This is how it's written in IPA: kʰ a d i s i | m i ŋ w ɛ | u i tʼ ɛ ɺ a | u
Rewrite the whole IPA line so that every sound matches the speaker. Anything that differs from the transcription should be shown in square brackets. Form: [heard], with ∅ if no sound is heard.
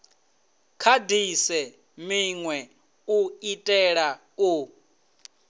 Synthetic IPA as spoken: kʰ a d i s [ɛ] | m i ŋ w ɛ | u i tʼ ɛ ɺ a | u